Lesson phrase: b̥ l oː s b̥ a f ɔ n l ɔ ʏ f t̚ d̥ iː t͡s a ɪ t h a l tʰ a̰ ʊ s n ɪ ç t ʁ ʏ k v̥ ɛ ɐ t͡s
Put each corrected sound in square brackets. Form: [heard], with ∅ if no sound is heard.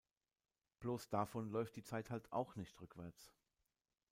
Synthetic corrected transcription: b̥ l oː s [d̥] a f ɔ n l ɔ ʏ f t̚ d̥ iː t͡s a ɪ t h a l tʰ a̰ ʊ [x] n ɪ ç t ʁ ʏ k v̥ ɛ ɐ t͡s